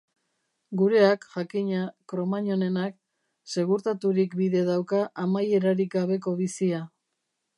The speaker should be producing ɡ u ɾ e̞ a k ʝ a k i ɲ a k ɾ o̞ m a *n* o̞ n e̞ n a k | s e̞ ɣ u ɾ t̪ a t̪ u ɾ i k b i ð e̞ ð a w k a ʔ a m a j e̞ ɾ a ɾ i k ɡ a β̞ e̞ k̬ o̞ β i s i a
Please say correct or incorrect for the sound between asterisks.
incorrect